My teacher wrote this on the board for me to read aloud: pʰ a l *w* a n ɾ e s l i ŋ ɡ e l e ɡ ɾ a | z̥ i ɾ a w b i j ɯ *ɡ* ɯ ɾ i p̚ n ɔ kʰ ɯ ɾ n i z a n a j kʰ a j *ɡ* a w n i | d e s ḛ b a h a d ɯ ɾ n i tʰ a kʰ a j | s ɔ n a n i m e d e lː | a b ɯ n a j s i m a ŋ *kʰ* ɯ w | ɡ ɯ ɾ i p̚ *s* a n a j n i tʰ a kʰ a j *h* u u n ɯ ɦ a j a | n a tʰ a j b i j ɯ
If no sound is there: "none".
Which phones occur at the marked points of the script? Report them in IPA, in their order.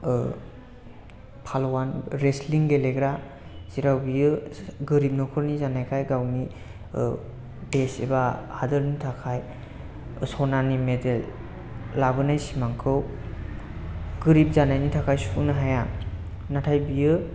w, ɡ, ɡ, kʰ, z, s

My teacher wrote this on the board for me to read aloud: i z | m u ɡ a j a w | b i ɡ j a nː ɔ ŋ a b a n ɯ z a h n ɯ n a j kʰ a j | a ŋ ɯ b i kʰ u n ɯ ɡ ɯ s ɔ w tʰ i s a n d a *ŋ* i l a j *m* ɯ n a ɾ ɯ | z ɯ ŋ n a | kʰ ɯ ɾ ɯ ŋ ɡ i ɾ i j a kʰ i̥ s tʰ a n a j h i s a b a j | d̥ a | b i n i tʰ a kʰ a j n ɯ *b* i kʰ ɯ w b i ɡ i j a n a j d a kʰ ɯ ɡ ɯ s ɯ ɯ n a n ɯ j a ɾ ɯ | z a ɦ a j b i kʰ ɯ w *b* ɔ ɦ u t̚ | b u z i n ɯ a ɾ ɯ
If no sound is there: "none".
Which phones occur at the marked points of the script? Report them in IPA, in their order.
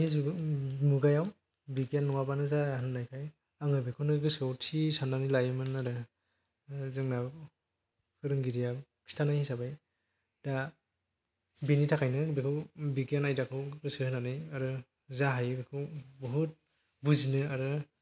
n, m, b, b

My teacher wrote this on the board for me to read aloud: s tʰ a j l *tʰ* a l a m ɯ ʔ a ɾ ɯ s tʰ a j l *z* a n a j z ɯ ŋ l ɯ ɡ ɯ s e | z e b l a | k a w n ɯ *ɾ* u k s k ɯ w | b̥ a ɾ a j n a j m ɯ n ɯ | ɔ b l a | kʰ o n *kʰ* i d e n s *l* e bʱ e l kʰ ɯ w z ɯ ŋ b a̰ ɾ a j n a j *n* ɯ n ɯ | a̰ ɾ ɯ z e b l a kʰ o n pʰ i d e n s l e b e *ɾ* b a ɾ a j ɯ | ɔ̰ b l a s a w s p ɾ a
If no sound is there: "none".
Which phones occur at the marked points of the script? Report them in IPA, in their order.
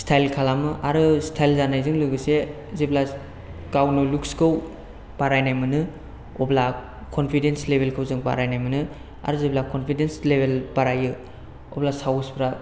kʰ, z, l, pʰ, l, m, l

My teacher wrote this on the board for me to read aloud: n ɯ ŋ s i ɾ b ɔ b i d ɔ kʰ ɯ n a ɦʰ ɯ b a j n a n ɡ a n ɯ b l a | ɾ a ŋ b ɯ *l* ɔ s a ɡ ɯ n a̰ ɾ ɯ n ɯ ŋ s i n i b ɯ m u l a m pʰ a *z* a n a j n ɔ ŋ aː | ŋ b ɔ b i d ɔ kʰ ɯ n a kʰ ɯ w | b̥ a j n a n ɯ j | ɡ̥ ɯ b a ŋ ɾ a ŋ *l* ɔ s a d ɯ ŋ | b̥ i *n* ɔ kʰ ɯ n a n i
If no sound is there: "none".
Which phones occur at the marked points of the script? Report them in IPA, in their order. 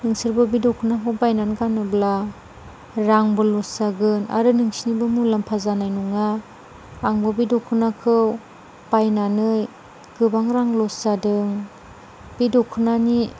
l, z, l, d

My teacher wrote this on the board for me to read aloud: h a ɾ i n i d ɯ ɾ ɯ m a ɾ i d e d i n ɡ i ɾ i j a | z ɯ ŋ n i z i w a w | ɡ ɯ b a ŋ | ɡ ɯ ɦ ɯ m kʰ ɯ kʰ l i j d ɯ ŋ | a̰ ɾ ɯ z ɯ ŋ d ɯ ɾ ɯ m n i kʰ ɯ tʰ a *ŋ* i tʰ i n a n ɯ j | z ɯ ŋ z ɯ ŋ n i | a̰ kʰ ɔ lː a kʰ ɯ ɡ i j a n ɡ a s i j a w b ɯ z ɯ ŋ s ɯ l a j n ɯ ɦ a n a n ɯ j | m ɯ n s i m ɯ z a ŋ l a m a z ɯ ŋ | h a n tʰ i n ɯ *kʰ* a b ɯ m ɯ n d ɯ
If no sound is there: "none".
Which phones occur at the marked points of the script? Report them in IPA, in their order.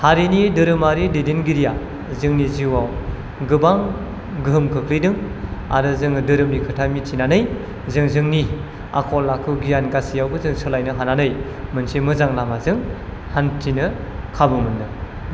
m, kʰ

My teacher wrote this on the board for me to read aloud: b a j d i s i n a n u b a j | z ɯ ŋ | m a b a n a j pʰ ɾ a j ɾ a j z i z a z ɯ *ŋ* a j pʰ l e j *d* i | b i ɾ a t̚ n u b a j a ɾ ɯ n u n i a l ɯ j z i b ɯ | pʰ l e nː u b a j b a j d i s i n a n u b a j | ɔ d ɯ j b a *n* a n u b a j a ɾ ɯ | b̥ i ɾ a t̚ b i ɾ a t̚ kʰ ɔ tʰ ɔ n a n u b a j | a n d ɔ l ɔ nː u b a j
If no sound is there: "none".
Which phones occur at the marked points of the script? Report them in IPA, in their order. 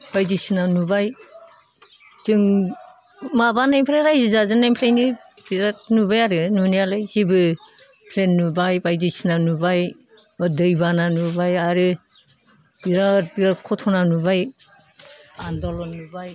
n, n, n

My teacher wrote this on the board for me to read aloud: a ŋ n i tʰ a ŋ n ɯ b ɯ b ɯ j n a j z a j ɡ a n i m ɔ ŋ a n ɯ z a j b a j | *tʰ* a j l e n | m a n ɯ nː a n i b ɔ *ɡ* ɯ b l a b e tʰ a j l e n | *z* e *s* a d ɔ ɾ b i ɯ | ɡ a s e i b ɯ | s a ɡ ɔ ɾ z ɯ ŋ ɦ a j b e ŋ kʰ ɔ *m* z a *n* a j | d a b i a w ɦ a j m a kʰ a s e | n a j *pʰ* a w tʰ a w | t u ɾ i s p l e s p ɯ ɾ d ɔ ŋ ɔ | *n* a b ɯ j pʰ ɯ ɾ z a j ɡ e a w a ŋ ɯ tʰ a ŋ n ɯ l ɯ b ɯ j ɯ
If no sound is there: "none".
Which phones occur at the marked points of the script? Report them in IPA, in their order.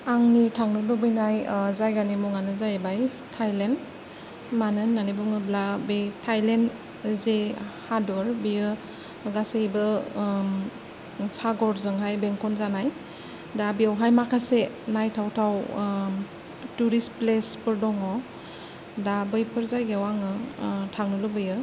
tʰ, ŋ, z, h, n, n, tʰ, d

